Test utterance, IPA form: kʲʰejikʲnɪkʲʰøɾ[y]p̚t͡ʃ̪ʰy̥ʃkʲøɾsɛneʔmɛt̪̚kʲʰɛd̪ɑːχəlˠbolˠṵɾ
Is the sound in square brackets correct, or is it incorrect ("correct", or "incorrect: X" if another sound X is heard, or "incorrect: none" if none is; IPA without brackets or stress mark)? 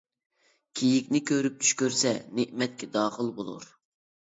correct